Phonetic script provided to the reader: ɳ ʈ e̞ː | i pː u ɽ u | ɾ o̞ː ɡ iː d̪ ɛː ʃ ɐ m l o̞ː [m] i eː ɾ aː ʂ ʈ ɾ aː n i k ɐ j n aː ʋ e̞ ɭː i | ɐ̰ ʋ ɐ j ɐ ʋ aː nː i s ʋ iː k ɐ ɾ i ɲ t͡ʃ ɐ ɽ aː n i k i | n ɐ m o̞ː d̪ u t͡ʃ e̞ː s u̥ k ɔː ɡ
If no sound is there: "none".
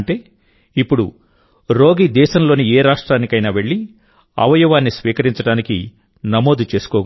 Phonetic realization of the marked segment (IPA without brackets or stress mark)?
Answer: n